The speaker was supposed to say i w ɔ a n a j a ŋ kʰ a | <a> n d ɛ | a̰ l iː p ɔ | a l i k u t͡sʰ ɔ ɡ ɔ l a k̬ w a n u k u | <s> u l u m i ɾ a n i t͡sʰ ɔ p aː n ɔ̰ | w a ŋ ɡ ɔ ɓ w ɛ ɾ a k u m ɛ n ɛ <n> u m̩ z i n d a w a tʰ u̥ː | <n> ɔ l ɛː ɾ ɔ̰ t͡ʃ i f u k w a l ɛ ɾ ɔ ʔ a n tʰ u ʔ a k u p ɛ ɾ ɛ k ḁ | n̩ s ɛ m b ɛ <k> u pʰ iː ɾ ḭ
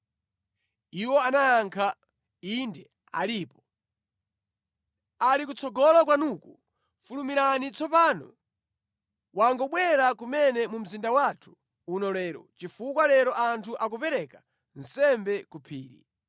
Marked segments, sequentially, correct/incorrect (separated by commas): incorrect, incorrect, incorrect, correct, correct